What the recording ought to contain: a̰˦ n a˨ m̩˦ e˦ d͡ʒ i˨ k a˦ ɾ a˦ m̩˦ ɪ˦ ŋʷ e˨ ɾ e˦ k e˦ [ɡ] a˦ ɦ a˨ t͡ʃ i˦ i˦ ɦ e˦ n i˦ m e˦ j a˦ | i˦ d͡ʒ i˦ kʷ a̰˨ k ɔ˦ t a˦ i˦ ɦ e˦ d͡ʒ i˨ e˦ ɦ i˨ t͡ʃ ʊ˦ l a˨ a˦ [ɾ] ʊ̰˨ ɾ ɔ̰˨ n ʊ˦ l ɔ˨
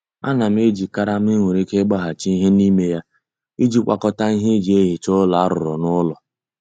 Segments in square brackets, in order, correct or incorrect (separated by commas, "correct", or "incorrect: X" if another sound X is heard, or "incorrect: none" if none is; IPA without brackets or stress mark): incorrect: ɡ͡b, correct